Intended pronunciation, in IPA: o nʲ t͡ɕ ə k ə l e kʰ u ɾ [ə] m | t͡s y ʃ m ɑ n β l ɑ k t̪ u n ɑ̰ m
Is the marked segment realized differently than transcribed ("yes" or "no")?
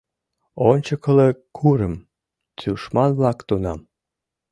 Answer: no